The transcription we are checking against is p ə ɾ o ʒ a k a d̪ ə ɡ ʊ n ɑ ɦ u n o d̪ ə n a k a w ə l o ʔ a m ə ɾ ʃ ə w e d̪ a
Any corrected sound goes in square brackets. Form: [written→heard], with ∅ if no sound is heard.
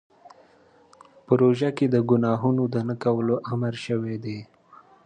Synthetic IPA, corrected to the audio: p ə ɾ o ʒ a k [a→e] d̪ ə ɡ ʊ n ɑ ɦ u n o d̪ ə n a k a w ə l o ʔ a m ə ɾ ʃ ə w e d̪ [a→e]